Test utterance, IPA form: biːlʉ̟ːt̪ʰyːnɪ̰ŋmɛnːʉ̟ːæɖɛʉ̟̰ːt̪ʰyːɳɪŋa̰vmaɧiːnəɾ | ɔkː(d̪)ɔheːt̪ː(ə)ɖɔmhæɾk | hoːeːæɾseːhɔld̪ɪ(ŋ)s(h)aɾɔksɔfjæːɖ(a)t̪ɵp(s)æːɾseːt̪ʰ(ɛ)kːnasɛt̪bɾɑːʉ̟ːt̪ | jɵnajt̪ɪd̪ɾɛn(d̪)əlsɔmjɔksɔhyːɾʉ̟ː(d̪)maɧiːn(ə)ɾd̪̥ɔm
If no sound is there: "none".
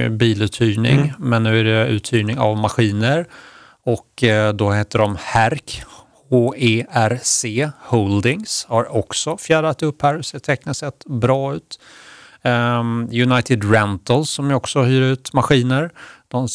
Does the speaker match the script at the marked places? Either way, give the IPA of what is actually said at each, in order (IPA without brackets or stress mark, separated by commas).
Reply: d̪, ə, ŋ, h, a, h, ɛ, t̪, t̪, ə